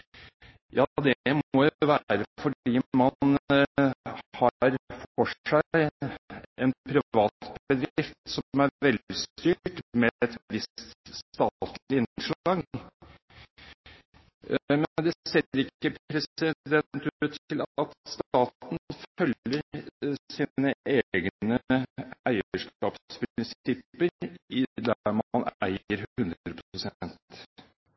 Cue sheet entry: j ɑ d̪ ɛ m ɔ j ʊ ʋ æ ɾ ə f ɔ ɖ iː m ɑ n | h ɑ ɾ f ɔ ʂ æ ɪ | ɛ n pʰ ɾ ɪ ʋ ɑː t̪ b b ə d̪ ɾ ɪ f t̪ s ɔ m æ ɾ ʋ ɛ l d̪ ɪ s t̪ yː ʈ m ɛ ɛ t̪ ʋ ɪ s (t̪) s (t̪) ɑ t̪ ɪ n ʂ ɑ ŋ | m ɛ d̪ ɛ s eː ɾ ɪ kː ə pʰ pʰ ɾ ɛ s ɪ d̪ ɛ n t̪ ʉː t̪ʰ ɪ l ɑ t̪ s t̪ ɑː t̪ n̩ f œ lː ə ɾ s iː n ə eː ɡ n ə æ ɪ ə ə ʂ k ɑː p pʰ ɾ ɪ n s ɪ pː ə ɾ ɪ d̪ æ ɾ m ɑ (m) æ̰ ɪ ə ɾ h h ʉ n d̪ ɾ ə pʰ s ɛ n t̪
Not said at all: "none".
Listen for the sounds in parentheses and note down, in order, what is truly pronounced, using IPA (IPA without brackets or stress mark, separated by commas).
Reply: t̪, t̪, n